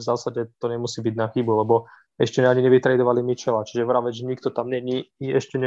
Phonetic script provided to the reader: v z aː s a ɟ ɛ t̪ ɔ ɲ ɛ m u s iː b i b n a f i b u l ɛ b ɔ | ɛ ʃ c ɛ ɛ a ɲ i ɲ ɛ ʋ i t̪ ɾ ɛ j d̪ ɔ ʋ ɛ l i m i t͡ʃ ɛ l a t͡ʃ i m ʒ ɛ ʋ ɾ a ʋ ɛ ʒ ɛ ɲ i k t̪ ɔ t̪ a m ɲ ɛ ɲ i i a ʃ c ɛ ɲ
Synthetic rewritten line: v z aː s a ɟ ɛ t̪ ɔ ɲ ɛ m u s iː b i ɟ n a x i b u l ɛ b ɔ | ɛ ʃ c ɛ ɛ a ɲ i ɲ ɛ ʋ i t̪ ɾ ɛ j d̪ ɔ ʋ a l i m i t͡ʃ ɛ l a t͡ʃ i ʒ ɛ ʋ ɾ a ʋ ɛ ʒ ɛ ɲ i k t̪ ɔ t̪ a m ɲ ɛ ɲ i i ɛ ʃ c ɛ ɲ